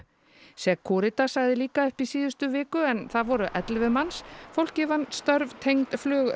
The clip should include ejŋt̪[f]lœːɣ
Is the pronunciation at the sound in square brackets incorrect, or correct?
correct